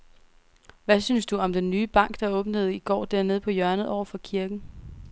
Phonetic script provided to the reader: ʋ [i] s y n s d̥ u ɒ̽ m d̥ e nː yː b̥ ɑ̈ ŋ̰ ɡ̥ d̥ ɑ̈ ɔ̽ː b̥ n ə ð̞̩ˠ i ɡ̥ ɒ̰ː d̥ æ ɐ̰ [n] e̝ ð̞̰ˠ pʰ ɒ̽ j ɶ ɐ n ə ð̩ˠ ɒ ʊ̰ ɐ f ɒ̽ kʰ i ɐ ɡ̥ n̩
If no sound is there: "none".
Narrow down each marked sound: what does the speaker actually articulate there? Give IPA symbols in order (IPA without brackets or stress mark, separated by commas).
æ, n